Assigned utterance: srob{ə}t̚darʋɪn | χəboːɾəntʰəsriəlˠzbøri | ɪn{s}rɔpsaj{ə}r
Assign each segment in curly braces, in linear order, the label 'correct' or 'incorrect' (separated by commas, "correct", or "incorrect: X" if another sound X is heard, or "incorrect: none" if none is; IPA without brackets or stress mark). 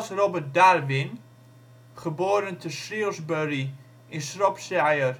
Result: correct, correct, correct